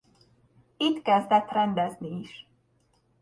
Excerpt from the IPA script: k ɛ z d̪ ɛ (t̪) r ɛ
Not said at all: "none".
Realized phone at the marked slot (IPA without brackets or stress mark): t̪